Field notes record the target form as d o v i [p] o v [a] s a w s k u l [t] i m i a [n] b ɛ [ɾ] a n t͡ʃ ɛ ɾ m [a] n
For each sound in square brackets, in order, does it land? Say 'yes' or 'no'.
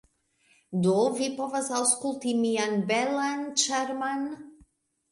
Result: yes, yes, yes, yes, no, yes

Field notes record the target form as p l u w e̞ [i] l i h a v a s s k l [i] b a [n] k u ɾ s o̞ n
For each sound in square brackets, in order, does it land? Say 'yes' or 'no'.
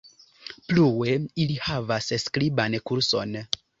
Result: yes, yes, yes

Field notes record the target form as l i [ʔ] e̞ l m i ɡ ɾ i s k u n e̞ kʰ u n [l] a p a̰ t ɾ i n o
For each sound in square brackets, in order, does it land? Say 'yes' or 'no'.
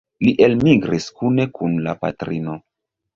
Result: yes, yes

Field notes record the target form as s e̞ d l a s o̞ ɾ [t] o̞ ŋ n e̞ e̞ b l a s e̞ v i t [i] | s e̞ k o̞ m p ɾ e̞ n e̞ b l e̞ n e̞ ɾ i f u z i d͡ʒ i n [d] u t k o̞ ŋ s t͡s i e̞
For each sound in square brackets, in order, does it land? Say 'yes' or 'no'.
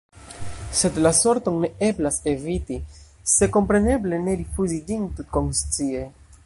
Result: yes, yes, no

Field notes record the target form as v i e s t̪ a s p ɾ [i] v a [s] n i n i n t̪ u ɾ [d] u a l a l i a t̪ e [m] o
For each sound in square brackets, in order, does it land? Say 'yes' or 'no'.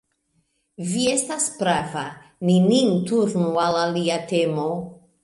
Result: no, no, no, yes

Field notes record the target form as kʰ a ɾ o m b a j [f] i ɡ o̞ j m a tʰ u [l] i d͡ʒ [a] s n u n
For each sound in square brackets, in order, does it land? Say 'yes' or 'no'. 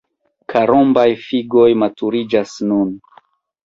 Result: yes, no, yes

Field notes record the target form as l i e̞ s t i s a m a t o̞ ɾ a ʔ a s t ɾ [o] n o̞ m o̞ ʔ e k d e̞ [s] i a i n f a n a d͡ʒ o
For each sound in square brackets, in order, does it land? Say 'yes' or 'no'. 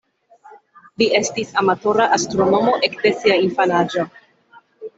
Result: yes, yes

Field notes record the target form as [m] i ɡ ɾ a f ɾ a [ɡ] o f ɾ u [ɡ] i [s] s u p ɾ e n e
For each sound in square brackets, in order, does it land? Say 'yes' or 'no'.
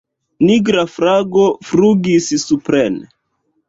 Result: no, yes, yes, yes

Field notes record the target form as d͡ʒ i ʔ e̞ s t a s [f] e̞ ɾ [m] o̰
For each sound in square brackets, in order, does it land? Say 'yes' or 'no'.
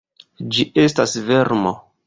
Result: no, yes

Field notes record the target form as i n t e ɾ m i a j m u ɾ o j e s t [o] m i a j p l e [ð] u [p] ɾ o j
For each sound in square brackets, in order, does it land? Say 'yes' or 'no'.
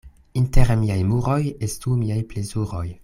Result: no, no, no

